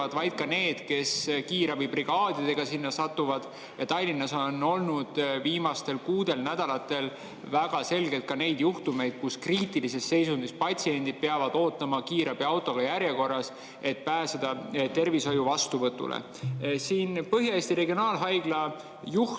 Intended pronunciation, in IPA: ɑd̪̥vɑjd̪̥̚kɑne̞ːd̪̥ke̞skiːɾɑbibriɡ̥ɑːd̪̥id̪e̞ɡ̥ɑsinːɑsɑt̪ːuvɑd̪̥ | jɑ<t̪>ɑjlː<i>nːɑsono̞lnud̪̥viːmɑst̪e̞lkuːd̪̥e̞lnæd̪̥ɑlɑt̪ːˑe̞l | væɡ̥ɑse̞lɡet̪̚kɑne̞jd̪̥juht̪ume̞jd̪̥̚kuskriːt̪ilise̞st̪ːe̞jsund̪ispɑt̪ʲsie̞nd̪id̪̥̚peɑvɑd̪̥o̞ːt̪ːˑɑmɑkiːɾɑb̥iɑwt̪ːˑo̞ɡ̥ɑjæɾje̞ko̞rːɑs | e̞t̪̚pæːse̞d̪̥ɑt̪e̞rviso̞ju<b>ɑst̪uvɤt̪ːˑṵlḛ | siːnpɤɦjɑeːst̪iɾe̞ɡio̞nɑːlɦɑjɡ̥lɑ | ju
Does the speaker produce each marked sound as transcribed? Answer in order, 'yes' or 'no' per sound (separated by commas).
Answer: yes, yes, no